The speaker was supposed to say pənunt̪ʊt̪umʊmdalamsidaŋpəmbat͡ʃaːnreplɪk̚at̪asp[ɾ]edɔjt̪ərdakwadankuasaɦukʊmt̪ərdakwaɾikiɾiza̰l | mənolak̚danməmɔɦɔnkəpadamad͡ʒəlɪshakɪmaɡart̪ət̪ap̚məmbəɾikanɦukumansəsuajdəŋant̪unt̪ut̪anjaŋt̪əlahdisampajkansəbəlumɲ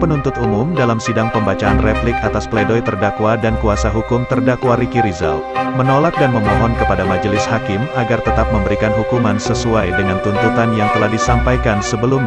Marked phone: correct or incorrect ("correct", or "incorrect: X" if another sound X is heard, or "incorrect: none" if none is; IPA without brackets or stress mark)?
incorrect: l